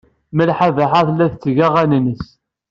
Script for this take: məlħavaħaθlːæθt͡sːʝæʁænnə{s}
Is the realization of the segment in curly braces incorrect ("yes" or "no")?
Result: no